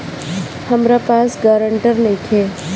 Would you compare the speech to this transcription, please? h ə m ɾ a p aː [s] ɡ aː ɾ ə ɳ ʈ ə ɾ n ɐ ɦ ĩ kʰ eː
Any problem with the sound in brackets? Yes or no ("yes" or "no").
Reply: no